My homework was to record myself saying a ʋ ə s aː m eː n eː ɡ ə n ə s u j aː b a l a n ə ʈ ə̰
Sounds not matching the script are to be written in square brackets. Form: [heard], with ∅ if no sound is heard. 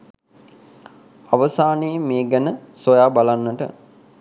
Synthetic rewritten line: a ʋ ə s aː [n] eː [m] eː ɡ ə n ə s [o] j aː b a l a [nː] ə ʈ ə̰